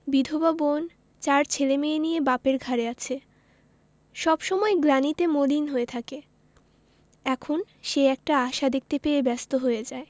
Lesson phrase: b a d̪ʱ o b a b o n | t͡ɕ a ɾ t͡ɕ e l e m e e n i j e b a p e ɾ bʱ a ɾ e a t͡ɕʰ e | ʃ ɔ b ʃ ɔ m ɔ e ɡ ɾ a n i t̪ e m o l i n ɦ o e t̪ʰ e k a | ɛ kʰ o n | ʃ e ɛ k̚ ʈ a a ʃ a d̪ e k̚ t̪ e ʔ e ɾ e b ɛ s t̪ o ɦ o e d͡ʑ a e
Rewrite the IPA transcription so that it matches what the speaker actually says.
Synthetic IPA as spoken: b i d̪ʱ o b a b o n | t͡ɕ a ɾ t͡ɕʰ e l e m e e n i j e b a p e ɾ ɡʱ a ɾ e a t͡ɕʰ e | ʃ ɔ b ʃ ɔ m ɔ e ɡ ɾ a n i t̪ e m o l i n ɦ o e t̪ʰ a k e | ɛ kʰ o n | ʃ e ɛ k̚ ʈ a a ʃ a d̪ e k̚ t̪ e p e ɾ e b ɛ s t̪ o ɦ o e d͡ʑ a e